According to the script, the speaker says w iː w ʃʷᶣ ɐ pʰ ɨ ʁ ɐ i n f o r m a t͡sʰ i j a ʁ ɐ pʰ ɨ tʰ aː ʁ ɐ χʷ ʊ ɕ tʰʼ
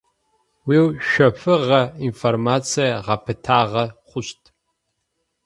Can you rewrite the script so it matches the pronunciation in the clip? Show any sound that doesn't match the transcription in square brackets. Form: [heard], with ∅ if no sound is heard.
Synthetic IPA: w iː w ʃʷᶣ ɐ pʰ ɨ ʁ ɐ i n f o r m a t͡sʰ i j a ʁ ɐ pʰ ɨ tʰ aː ʁ ɐ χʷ ʊ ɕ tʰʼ